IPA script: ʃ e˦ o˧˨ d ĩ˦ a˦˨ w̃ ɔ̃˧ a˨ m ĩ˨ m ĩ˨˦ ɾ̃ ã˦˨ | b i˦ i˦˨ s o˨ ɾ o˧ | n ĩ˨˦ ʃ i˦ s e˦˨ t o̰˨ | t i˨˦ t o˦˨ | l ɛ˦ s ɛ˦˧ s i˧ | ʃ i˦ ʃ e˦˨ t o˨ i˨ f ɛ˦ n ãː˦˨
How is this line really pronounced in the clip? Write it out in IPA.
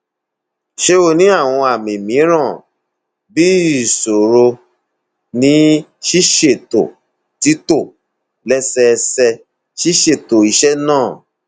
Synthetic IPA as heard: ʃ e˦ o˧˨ n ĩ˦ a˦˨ w̃ ɔ̃˧ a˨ m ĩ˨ m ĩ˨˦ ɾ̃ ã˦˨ | b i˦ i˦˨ s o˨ ɾ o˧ | n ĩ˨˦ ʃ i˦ ʃ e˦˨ t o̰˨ | t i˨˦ t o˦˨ | l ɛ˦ s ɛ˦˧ s ɛ˧ | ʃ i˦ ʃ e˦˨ t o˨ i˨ ʃ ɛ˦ n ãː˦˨